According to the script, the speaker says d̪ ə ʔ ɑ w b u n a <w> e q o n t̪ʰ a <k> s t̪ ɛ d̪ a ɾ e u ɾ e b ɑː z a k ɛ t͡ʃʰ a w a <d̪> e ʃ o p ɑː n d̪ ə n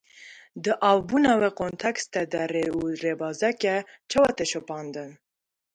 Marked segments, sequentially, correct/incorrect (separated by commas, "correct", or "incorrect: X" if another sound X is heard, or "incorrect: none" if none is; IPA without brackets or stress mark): correct, correct, incorrect: t̪